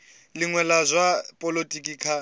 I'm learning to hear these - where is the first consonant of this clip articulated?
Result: tongue tip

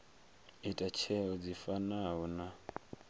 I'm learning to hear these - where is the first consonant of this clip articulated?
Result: tongue tip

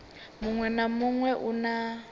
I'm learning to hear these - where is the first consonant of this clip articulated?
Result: lips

